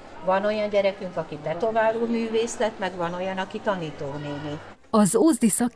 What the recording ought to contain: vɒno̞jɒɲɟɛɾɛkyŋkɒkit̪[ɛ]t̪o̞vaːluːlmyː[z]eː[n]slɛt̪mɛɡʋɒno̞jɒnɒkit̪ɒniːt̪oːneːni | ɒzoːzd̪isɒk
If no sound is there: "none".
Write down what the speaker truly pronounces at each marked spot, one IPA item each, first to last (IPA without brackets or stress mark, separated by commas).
ɛ, v, none